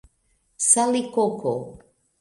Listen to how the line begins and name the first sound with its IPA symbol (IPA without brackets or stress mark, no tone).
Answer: s